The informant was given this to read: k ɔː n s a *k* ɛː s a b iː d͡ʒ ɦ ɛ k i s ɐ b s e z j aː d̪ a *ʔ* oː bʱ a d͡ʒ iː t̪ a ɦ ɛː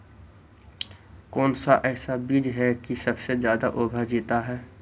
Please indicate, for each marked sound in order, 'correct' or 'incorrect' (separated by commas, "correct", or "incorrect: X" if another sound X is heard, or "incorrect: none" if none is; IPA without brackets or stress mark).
incorrect: ʔ, correct